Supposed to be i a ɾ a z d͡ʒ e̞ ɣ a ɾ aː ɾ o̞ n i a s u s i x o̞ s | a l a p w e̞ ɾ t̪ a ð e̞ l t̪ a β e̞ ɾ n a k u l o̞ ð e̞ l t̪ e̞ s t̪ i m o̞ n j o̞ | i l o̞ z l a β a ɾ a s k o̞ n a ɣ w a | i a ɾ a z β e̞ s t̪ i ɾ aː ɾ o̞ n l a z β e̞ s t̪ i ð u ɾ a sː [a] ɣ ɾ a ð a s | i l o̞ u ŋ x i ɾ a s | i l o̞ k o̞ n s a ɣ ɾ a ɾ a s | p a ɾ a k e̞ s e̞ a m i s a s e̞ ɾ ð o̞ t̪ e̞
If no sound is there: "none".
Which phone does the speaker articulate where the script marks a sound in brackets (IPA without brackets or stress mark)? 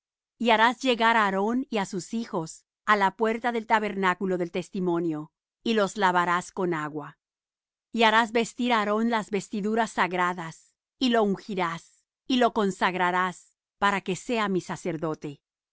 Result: a